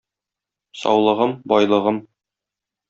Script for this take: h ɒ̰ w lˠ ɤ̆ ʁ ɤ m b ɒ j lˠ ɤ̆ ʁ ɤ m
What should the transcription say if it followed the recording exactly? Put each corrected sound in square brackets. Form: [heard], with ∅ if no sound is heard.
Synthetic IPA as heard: [s] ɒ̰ w lˠ ɤ̆ ʁ ɤ m b ɒ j lˠ ɤ̆ ʁ ɤ m

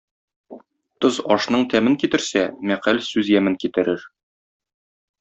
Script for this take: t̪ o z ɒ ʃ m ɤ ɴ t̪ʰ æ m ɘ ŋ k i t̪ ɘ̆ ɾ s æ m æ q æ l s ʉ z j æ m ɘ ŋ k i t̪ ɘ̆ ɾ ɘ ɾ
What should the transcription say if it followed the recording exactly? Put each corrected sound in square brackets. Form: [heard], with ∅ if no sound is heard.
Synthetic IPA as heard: t̪ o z ɒ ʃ [n] ɤ ɴ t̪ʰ æ m ɘ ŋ k i t̪ ɘ̆ ɾ s æ m æ q æ l s ʉ z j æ m ɘ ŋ k i t̪ ɘ̆ ɾ ɘ ɾ

